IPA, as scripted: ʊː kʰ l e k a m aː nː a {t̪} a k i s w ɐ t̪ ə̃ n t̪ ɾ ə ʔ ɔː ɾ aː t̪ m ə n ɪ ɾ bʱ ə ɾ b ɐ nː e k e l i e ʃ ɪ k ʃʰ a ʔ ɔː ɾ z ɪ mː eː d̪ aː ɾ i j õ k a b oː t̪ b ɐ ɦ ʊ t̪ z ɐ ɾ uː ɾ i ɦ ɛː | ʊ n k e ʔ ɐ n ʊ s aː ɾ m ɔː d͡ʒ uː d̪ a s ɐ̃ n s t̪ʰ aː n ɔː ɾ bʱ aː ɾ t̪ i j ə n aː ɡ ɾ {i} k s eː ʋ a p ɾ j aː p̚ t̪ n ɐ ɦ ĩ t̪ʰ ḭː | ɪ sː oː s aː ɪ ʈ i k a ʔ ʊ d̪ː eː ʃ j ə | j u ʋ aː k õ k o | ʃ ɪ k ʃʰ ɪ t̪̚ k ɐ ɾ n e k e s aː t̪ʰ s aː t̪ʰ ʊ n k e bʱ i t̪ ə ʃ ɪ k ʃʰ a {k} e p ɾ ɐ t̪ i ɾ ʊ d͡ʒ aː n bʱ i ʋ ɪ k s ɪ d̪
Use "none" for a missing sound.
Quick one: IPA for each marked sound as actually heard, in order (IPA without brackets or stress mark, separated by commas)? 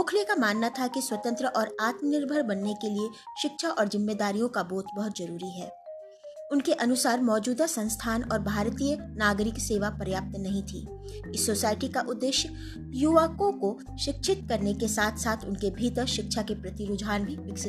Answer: t̪ʰ, ɪ, k